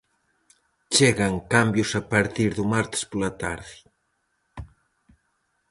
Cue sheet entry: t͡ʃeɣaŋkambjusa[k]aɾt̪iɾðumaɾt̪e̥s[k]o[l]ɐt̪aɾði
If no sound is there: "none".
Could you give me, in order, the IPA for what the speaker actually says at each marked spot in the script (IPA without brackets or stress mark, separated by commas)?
p, p, l